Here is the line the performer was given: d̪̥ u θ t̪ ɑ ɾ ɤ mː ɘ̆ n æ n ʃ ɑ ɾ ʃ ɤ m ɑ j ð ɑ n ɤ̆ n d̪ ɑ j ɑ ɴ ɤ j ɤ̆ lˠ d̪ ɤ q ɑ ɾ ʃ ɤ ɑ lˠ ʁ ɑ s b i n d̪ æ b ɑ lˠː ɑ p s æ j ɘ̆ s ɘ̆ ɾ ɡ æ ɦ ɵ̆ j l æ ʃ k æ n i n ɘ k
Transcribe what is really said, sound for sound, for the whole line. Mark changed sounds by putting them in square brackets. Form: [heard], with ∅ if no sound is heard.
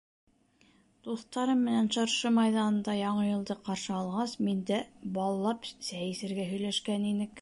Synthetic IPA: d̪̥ u θ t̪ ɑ ɾ ɤ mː ɘ̆ n æ n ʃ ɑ ɾ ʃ ɤ m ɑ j ð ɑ n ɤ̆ n d̪ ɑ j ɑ ɴ ɤ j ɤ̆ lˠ d̪ ɤ q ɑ ɾ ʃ ɤ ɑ lˠ ʁ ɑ s [m] i n d̪ æ b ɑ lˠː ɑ p s æ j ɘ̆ s ɘ̆ ɾ ɡ æ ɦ ɵ̆ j l æ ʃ k æ n i n ɘ k